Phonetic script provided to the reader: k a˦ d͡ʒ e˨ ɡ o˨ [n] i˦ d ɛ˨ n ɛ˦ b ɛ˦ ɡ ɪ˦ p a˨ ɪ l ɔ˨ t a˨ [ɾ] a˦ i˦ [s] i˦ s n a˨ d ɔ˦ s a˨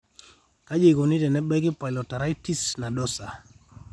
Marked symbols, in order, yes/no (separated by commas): yes, yes, no